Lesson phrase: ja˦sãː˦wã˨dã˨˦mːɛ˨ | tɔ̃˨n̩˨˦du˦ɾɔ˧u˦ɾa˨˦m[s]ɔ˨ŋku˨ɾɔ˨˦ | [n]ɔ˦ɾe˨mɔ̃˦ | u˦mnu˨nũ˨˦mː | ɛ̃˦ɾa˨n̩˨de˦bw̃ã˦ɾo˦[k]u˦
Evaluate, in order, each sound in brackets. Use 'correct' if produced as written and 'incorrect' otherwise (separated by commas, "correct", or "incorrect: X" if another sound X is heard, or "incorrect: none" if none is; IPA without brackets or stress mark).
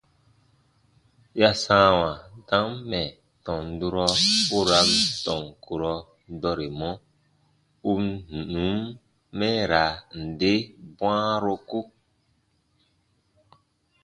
incorrect: t, incorrect: d, correct